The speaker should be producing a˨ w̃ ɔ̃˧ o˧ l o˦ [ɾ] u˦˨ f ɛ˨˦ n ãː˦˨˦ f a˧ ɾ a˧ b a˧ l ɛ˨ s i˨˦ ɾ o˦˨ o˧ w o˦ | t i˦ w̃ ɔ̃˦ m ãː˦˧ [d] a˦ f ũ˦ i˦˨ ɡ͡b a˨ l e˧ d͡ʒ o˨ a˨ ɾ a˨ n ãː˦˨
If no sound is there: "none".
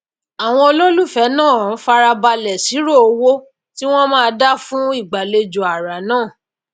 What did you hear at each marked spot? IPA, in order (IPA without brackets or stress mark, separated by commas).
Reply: l, d